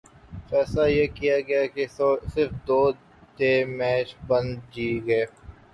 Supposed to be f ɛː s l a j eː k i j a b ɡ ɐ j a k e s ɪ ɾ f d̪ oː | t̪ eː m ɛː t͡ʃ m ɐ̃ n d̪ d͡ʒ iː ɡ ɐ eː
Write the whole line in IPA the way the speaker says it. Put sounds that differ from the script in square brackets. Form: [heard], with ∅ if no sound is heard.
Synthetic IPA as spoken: f ɛː s l a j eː k i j a [∅] ɡ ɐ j a k e s ɪ ɾ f d̪ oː | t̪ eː m ɛː t͡ʃ [b] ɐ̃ n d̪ d͡ʒ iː ɡ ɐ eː